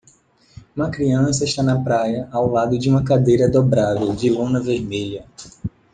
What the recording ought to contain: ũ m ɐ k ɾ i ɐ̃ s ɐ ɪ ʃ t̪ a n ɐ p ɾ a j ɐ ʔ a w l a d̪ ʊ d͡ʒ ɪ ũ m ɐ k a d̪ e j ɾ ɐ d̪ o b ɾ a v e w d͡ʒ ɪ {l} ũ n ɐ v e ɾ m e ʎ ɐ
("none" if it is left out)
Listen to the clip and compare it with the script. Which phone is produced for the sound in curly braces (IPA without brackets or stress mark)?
l